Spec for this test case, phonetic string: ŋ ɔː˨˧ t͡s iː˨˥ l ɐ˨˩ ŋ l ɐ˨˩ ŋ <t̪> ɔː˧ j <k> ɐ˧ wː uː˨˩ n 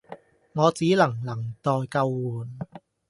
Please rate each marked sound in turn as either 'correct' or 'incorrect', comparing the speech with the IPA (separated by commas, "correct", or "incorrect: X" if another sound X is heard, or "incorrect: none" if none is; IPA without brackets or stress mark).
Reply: correct, correct